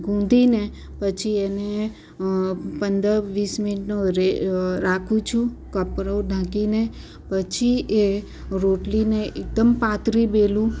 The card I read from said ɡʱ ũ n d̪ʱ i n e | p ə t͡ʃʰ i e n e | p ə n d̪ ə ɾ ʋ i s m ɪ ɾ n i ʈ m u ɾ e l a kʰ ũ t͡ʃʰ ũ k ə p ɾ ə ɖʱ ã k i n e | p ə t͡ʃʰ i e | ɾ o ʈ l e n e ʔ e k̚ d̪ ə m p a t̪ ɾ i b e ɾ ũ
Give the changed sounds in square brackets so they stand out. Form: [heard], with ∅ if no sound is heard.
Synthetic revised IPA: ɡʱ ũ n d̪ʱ i n e | p ə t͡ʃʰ i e n e | p ə n d̪ ə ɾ ʋ i s m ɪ [∅] n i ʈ [n] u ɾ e [ɾ] a kʰ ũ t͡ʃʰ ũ k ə p ɾ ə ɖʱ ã k i n e | p ə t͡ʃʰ i e | ɾ o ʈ l [i] n e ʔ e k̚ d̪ ə m p a t̪ ɾ i b e [l] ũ